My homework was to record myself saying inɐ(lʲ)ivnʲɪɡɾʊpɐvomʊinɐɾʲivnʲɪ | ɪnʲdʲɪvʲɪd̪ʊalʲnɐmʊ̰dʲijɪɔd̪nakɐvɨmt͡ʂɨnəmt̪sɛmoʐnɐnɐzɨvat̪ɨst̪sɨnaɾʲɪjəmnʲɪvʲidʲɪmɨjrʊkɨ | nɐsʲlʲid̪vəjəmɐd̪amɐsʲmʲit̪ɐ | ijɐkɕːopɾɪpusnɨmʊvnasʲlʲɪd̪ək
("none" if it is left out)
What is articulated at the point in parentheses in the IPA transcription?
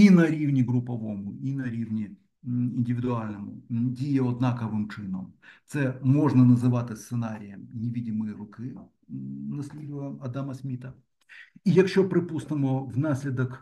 ɾʲ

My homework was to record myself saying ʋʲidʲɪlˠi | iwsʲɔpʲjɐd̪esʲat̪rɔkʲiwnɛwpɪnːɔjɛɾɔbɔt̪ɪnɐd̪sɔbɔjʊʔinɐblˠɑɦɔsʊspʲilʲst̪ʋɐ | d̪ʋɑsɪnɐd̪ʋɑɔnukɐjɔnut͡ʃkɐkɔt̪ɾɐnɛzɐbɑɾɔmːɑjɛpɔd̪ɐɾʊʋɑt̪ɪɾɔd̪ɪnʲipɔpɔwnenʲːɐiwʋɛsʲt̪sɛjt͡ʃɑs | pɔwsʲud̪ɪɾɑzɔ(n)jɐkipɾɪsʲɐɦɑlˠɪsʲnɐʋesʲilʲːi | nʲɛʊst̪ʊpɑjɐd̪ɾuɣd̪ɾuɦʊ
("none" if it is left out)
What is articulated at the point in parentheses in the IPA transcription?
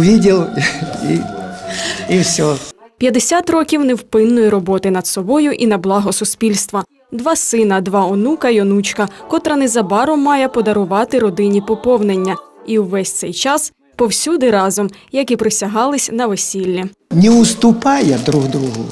m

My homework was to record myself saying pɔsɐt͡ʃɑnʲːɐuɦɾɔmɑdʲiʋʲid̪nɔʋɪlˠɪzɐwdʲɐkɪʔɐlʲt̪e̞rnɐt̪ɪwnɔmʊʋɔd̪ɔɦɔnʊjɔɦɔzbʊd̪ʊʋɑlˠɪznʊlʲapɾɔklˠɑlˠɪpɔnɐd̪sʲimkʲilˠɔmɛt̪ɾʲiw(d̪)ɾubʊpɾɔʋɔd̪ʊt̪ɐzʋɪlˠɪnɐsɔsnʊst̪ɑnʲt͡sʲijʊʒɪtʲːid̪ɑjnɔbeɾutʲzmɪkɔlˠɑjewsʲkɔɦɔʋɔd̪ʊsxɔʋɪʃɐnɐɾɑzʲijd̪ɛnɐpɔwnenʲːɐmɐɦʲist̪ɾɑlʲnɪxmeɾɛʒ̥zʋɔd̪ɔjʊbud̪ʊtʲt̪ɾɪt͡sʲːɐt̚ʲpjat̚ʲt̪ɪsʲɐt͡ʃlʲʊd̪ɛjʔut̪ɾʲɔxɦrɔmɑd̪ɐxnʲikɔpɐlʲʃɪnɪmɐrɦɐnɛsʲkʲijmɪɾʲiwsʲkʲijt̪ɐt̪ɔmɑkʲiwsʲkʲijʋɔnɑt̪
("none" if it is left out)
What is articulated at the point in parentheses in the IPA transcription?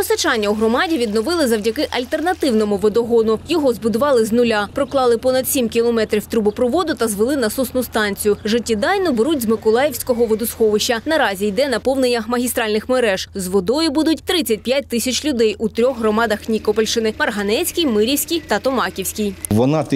t̪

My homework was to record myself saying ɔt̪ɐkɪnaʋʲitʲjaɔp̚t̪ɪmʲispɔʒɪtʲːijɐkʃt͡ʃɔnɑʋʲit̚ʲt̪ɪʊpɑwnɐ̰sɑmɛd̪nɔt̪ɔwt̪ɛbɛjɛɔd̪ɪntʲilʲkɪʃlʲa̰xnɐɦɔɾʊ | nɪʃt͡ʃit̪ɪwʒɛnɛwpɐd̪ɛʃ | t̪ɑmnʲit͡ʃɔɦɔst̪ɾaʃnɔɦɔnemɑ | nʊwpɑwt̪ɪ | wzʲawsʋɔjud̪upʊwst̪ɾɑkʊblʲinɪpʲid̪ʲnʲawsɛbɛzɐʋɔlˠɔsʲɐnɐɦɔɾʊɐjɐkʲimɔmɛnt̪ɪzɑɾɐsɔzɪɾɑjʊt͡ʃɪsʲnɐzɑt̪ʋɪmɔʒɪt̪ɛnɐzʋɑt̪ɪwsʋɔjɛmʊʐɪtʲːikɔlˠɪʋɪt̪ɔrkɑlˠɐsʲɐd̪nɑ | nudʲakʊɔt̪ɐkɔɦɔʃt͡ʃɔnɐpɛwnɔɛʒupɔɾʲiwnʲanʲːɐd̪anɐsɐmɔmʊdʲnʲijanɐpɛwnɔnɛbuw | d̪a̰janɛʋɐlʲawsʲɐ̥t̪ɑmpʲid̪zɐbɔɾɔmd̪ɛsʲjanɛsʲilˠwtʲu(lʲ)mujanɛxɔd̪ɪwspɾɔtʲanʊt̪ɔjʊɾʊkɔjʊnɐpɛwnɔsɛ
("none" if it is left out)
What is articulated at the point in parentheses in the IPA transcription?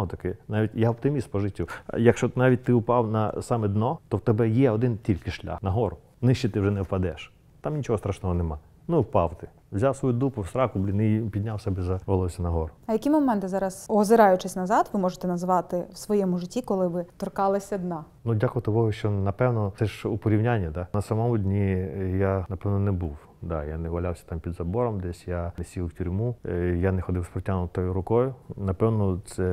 ɾʲ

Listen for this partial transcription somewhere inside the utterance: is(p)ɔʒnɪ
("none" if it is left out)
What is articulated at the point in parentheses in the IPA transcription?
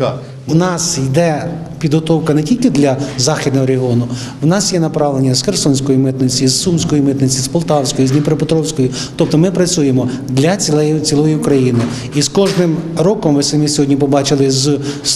k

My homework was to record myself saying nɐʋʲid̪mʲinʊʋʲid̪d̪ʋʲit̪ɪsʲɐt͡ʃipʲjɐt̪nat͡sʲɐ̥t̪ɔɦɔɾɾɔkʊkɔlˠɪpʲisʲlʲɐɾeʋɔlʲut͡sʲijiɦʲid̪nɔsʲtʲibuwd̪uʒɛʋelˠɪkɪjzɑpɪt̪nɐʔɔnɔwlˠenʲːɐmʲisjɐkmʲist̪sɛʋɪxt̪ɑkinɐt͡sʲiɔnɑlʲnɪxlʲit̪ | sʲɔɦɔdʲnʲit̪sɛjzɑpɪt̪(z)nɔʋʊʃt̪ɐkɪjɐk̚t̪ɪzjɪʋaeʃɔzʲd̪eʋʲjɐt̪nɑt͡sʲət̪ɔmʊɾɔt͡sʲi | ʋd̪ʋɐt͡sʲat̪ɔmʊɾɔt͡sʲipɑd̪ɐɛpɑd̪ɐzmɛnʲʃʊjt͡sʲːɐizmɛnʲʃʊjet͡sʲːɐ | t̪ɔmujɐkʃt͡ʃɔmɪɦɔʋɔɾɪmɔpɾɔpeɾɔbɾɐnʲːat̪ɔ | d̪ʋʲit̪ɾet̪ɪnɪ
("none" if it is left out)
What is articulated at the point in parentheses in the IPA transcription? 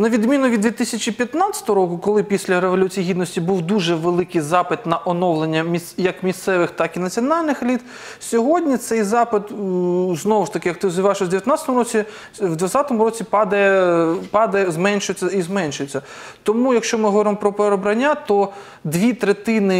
z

